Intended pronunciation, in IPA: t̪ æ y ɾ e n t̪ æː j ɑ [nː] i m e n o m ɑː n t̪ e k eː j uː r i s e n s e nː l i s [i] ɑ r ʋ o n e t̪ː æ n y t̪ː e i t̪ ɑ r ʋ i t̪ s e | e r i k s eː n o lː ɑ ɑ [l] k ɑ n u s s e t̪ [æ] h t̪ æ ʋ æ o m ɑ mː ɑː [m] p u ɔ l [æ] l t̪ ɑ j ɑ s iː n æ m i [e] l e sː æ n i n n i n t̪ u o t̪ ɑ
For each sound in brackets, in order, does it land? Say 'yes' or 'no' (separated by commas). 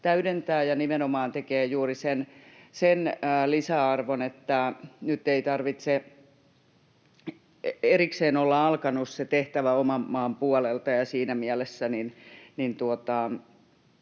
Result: no, no, yes, no, yes, no, no